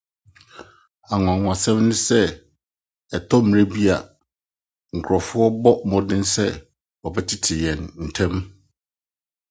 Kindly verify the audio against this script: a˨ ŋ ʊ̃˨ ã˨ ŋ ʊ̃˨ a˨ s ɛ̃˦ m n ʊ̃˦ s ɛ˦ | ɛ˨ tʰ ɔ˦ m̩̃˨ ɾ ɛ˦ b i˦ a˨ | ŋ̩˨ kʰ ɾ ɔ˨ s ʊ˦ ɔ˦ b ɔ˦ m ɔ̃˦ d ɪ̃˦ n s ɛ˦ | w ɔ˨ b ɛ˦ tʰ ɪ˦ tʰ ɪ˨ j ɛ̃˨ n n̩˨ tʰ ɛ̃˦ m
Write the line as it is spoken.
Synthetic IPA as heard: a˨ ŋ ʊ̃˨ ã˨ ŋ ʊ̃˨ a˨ s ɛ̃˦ m n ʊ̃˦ s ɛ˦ | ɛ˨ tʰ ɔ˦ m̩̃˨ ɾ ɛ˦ b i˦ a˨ | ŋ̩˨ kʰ ɾ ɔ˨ f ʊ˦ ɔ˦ b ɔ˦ m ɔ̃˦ d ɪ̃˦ n s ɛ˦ | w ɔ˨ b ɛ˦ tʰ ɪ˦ tʰ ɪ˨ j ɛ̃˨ n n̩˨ tʰ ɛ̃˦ m